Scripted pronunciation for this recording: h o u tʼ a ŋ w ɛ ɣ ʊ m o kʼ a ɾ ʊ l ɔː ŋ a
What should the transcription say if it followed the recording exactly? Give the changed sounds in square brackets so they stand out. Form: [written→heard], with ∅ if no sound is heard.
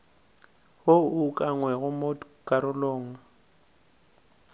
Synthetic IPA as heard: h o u [tʼ→kʼ] a ŋ w ɛ ɣ ʊ m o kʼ a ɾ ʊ l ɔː ŋ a